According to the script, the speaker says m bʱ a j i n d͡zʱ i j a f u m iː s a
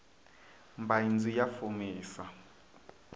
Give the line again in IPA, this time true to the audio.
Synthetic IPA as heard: m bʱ a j i n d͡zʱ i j a f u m iː s a